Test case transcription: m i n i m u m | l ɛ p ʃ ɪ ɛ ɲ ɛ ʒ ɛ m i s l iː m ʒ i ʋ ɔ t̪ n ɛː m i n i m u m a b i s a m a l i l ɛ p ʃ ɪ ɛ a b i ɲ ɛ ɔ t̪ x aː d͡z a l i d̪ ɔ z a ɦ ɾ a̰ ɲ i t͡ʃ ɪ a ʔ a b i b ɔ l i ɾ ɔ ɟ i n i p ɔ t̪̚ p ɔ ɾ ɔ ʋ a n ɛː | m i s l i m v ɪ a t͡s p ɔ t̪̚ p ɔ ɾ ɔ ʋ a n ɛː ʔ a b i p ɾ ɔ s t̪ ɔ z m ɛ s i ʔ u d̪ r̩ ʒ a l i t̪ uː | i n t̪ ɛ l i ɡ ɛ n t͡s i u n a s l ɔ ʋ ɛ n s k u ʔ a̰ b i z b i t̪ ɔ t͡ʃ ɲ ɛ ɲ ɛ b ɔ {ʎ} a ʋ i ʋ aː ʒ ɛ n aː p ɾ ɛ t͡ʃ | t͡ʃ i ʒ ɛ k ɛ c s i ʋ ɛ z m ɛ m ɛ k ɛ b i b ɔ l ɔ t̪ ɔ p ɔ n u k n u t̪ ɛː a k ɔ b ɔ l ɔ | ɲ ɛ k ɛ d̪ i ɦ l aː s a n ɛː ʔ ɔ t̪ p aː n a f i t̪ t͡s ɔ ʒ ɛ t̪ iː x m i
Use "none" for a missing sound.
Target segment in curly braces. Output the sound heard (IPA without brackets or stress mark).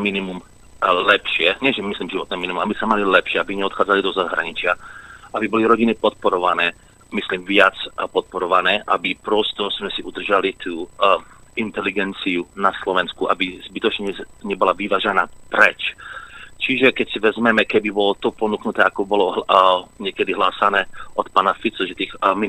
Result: l